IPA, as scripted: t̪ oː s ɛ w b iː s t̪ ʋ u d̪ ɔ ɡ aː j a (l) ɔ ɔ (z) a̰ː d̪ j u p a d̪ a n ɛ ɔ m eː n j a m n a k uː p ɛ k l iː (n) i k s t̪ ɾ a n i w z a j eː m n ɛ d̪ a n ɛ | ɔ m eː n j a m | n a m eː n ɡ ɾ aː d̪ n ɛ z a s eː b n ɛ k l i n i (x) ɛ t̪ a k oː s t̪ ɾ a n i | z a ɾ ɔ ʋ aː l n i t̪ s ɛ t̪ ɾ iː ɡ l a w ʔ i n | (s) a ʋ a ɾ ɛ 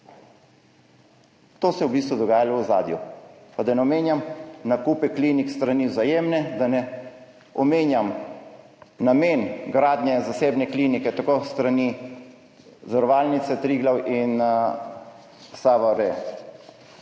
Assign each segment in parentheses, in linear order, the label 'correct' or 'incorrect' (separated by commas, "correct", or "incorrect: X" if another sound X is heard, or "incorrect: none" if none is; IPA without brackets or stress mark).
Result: correct, correct, correct, incorrect: k, correct